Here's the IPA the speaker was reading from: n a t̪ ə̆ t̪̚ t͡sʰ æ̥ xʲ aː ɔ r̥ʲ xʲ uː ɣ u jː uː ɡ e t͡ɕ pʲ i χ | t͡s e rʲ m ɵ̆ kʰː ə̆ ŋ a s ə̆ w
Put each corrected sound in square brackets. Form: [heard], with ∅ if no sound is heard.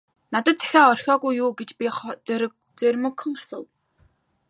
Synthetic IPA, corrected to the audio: n a t̪ ə̆ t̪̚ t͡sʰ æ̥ xʲ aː ɔ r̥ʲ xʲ [ɔː] ɣ u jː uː ɡ e t͡ɕ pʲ i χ | t͡s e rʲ m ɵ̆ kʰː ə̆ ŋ a s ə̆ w